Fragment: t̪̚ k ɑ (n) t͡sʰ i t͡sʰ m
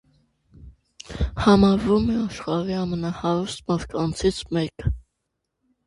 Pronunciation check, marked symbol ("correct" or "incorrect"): correct